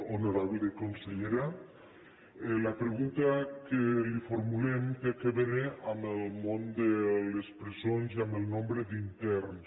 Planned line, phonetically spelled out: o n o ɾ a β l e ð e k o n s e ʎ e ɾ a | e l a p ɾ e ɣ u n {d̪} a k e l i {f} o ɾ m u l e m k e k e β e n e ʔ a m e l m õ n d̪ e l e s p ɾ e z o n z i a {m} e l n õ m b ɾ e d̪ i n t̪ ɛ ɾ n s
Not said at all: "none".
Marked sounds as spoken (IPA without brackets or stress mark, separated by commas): t̪, f, m